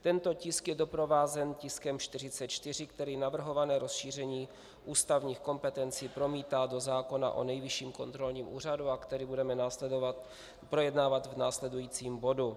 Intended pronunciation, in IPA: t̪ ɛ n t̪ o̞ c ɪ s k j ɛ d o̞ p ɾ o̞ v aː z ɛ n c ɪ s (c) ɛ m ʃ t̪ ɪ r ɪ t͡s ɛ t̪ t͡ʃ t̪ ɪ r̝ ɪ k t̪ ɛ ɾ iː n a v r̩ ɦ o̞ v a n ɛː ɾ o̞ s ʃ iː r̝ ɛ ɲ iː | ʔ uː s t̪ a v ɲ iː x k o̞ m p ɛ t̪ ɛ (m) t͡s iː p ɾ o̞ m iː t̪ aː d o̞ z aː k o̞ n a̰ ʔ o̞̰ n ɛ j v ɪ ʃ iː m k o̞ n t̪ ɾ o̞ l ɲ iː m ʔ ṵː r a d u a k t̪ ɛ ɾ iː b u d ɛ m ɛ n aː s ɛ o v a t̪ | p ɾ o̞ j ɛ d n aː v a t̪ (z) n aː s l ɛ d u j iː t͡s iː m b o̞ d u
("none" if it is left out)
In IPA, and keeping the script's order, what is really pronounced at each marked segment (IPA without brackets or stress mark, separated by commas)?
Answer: k, n, v